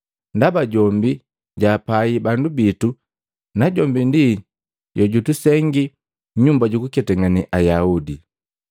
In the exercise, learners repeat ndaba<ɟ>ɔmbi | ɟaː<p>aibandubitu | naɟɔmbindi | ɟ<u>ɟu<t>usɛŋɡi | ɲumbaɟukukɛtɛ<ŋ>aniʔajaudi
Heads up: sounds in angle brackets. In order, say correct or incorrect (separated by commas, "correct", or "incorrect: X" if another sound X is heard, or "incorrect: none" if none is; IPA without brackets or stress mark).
correct, correct, incorrect: ɔ, correct, correct